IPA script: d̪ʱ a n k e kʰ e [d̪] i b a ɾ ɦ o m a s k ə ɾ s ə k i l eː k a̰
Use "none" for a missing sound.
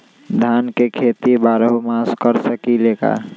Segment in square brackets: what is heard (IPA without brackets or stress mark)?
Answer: t̪